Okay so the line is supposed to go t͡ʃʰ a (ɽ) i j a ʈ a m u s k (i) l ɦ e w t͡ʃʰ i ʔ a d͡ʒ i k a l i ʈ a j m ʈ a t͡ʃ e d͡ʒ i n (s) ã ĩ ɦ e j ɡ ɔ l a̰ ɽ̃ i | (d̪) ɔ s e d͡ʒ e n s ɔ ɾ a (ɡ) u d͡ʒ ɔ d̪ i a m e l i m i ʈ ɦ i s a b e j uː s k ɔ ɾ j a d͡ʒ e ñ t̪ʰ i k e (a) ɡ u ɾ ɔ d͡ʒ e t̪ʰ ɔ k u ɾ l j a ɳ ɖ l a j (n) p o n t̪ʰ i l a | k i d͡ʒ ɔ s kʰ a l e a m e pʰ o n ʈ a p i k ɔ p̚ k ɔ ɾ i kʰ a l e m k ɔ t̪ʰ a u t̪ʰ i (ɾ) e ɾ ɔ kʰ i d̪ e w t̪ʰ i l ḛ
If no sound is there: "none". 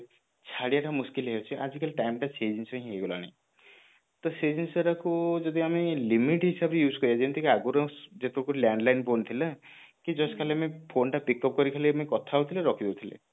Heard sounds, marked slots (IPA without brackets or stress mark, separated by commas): ɽ, i, s, t̪, k, a, n, l